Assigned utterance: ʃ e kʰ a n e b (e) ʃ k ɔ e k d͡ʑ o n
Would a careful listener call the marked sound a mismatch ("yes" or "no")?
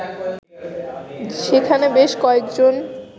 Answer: no